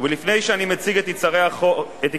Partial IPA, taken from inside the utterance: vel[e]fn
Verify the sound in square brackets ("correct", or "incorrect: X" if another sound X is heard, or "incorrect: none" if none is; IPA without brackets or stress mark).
incorrect: i